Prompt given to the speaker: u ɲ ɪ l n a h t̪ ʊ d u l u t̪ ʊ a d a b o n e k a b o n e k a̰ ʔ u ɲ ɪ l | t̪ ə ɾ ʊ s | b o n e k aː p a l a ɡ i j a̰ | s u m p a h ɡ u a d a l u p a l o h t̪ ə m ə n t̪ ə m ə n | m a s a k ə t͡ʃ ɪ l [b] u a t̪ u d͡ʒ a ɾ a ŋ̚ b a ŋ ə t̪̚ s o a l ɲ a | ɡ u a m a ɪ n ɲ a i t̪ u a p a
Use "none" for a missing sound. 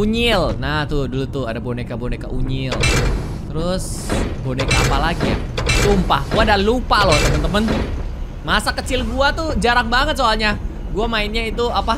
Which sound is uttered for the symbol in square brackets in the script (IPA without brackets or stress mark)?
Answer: ɡ